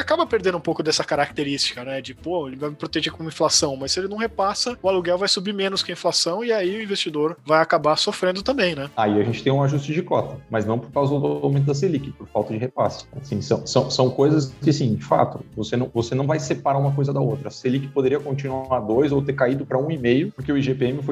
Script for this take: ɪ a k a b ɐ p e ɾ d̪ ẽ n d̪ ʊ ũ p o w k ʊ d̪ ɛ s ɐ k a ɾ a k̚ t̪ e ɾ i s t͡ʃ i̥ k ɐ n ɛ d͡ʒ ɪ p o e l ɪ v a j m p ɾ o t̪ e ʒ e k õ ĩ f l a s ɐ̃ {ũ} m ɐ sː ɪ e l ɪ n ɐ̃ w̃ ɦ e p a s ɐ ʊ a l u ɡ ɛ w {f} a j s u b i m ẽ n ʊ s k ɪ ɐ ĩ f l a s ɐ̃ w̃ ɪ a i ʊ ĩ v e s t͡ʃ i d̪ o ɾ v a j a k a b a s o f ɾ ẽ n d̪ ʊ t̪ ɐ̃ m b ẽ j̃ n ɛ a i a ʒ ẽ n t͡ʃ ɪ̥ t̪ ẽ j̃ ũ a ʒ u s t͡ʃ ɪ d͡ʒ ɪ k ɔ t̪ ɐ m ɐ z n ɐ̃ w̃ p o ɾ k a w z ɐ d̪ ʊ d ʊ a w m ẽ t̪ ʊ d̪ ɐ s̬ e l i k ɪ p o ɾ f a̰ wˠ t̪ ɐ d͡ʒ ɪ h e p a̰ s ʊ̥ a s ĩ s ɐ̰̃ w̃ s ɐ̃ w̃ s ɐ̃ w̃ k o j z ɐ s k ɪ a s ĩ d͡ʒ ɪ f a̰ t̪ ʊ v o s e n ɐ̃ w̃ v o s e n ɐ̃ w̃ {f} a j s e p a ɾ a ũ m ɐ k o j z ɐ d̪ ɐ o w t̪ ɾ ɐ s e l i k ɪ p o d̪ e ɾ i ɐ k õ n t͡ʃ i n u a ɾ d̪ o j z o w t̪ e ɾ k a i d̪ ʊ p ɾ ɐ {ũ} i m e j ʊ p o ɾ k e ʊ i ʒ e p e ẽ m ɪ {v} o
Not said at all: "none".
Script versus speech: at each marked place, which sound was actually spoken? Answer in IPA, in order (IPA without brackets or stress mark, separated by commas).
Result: w̃, v, v, ũ, f